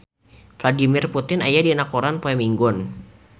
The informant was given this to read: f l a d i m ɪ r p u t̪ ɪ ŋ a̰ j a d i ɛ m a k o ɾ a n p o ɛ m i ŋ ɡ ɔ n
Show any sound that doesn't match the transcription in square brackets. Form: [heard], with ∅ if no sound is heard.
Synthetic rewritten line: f l a d i m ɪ r p u t̪ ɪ [n] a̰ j a d i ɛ [n] a k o ɾ a n p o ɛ m i ŋ ɡ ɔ n